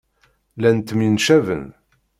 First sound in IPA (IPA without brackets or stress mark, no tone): l